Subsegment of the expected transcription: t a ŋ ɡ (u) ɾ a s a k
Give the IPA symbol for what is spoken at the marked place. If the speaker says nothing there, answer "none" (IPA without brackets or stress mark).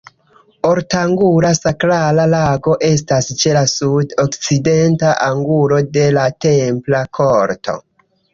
u